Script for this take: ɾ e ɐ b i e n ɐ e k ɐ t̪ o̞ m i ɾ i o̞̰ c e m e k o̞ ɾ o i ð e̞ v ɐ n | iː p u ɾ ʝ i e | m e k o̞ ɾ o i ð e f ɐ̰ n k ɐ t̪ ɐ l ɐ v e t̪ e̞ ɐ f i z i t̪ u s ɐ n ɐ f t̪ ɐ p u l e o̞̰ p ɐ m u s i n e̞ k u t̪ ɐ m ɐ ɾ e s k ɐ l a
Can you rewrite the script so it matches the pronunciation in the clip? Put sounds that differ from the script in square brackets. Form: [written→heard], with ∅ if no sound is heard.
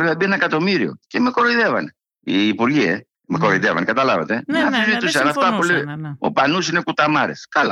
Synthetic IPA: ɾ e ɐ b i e n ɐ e k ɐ t̪ o̞ m i ɾ i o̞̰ c e m e k o̞ ɾ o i ð e̞ v ɐ n | iː p u ɾ ʝ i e | m e k o̞ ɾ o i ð e [f→v] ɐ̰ n k ɐ t̪ ɐ l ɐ v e t̪ e̞ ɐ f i z i t̪ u s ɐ n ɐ f t̪ ɐ p u l e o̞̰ p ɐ [m→n] u s i n e̞ k u t̪ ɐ m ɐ ɾ e s k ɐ l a